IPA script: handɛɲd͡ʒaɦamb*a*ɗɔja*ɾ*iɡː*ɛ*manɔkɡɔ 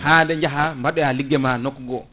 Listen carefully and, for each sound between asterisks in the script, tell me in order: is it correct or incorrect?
correct, incorrect, correct

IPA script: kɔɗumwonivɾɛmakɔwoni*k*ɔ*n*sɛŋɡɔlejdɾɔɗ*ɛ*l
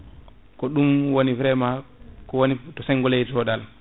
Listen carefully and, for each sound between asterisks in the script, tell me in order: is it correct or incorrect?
incorrect, incorrect, incorrect

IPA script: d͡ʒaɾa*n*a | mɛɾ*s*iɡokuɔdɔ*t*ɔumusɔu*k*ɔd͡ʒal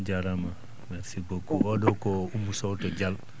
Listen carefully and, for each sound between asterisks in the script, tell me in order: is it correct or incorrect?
incorrect, correct, incorrect, incorrect

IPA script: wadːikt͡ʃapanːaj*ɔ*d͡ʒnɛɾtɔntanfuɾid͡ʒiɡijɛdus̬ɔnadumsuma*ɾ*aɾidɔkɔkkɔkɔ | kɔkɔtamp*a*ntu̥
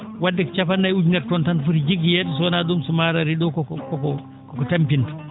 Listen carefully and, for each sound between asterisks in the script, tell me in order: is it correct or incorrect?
incorrect, correct, incorrect

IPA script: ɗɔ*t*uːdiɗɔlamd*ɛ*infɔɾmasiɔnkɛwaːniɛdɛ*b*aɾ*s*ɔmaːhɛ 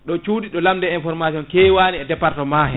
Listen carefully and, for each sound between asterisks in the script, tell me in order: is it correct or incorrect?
incorrect, correct, incorrect, incorrect

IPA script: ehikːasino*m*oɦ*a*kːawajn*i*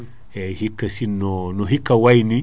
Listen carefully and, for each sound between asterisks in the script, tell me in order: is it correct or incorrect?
incorrect, incorrect, correct

